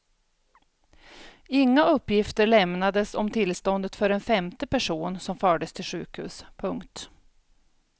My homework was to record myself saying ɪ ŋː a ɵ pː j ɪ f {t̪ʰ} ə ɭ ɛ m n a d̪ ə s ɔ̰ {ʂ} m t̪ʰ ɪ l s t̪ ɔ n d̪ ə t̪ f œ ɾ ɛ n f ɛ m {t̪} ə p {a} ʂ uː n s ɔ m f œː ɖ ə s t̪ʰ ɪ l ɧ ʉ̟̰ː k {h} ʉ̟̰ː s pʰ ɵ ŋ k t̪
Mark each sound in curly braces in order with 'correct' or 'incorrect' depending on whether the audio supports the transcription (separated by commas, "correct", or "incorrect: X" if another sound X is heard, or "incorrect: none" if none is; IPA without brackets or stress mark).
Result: incorrect: t̪, incorrect: none, correct, incorrect: æ, correct